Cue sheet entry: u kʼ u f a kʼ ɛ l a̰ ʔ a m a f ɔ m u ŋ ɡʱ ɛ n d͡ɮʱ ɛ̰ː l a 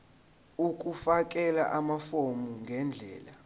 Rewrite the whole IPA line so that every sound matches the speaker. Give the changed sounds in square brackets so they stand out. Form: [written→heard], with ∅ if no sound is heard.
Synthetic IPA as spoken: u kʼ u f a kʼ ɛ l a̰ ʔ a m a f [ɔ→o] m u ŋ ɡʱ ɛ n d͡ɮʱ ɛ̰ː l a